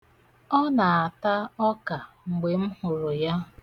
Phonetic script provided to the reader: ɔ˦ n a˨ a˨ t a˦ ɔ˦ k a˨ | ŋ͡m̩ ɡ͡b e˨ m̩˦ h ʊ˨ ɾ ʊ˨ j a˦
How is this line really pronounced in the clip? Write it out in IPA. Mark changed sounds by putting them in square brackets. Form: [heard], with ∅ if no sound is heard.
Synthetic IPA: ɔ˦ n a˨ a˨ t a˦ ɔ˦ k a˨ | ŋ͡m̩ ɡ͡b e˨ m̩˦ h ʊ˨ ɾ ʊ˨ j a˦